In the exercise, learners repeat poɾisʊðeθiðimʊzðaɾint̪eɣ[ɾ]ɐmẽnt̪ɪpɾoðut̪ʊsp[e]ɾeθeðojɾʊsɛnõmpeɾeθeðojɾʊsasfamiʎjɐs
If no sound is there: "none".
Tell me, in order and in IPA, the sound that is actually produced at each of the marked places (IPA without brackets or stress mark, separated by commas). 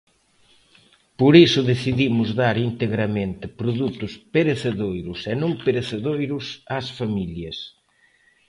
ɾ, e